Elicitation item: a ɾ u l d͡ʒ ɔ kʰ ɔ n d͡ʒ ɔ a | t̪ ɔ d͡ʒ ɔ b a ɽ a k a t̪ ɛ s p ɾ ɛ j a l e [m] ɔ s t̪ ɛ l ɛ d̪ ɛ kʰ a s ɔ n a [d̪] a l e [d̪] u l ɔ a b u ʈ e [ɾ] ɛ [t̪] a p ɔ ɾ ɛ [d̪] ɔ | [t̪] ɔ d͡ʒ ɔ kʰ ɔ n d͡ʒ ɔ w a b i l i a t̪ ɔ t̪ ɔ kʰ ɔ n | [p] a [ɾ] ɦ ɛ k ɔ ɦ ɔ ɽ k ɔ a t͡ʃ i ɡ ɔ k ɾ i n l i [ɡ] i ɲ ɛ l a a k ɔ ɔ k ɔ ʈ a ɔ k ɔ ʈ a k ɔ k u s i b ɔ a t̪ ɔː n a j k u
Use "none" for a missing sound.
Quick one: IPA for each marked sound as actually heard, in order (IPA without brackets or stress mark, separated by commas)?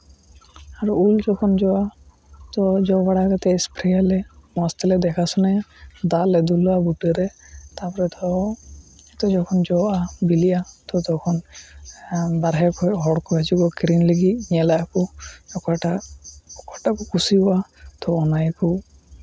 m, d̪, d̪, ɾ, t̪, t̪, t̪, b, ɾ, ɡ